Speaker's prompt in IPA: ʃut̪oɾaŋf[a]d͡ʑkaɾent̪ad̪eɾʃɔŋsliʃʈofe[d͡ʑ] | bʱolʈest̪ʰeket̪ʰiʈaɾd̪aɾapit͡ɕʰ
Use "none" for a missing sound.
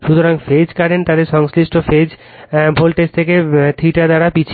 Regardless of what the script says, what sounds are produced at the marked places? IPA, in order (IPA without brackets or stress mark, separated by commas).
e, d͡ʑ